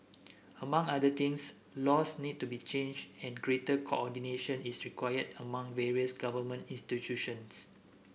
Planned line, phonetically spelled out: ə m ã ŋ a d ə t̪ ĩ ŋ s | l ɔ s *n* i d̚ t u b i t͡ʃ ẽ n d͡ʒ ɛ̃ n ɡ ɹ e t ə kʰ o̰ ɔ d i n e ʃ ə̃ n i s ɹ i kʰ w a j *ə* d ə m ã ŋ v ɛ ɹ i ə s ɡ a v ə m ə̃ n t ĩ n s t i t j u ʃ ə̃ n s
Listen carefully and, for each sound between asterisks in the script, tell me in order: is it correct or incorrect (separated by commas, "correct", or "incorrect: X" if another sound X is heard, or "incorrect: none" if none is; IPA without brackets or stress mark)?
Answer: correct, correct